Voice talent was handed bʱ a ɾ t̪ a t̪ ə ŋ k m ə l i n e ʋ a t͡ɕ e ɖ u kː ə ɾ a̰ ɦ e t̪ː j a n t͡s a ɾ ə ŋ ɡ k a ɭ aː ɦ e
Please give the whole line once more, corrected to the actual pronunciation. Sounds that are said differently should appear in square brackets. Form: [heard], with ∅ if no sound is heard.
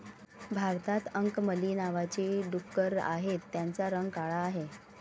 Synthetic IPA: bʱ a ɾ t̪ a t̪ ə ŋ k m ə l i n [a] ʋ a t͡ɕ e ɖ u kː ə ɾ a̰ ɦ e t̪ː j a n t͡s a ɾ ə ŋ ɡ k a ɭ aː ɦ e